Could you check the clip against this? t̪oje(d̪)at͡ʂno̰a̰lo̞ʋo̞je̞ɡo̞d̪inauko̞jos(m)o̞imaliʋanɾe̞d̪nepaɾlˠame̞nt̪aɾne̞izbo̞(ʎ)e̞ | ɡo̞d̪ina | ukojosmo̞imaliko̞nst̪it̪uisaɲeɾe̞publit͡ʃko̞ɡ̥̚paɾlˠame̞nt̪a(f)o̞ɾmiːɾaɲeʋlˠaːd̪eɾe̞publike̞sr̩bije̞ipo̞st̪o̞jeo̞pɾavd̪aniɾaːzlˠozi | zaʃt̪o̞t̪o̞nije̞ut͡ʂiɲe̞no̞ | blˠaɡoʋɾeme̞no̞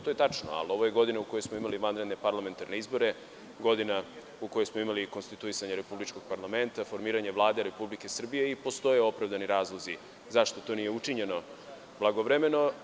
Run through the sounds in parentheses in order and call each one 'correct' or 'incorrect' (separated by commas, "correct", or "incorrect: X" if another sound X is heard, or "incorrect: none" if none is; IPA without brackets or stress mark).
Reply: incorrect: t̪, correct, incorrect: ɾ, correct